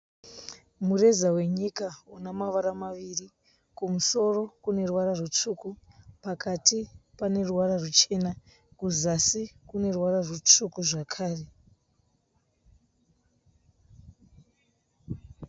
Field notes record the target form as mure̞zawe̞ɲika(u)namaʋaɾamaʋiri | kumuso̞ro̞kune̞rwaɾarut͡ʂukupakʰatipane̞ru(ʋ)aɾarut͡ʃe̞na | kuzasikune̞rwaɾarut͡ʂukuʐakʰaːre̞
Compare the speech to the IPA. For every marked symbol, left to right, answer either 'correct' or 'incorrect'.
correct, incorrect: w

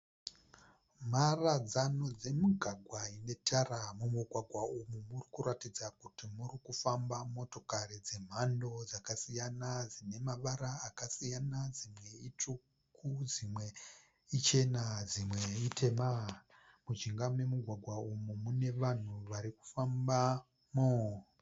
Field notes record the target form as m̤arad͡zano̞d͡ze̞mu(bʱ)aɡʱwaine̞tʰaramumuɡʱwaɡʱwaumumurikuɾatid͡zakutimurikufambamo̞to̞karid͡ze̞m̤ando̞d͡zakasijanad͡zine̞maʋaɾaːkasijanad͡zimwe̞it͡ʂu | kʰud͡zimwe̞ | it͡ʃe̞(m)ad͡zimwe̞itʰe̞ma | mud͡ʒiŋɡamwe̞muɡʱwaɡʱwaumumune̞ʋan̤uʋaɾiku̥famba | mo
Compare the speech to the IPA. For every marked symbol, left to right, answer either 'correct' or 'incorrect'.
incorrect: ɡʱ, incorrect: n

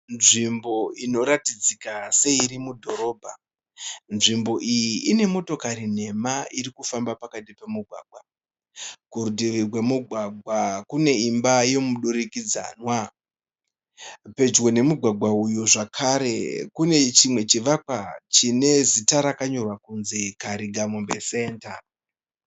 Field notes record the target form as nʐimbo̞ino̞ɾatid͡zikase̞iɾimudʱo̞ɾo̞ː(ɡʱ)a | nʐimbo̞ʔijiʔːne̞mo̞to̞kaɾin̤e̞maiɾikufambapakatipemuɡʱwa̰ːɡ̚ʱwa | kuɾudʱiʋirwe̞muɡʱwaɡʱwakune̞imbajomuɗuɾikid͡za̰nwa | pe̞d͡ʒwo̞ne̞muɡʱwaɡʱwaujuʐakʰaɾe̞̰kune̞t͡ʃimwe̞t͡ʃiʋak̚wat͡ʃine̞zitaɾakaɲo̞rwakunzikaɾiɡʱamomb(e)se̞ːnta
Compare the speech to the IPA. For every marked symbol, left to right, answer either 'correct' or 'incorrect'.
incorrect: bʱ, correct

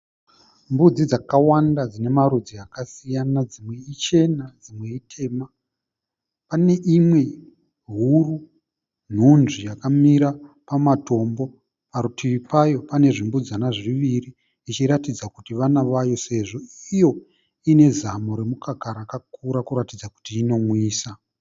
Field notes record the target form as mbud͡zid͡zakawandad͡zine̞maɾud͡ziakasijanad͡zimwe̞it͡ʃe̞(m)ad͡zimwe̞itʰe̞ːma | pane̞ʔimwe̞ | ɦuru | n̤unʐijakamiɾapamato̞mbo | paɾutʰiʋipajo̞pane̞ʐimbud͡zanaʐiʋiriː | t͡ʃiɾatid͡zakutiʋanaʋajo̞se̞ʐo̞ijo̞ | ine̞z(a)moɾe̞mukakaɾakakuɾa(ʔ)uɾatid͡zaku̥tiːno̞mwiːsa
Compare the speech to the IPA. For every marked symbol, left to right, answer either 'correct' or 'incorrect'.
incorrect: n, correct, incorrect: k

